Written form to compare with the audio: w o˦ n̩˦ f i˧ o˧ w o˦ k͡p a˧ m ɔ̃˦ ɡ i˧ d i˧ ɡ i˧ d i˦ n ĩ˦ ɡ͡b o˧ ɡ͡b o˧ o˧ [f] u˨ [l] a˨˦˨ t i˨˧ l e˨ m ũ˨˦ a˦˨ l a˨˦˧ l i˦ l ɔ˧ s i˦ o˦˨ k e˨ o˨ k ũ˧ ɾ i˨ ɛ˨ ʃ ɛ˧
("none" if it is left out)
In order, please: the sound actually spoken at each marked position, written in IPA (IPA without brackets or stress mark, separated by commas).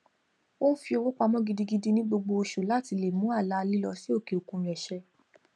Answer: ʃ, l